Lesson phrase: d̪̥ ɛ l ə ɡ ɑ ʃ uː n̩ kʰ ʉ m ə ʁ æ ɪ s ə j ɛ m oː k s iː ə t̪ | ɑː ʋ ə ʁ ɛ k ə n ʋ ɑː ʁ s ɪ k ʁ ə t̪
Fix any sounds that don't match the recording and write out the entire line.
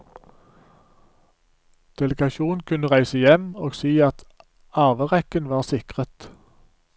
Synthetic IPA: d̪̥ ɛ l ə ɡ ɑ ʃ uː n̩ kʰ ʉ n ə ʁ æ ɪ s ə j ɛ m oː ɡ s iː ɑ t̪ | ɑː ʋ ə ʁ ɛ k ə n ʋ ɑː ʁ s ɪ k ʁ ə t̪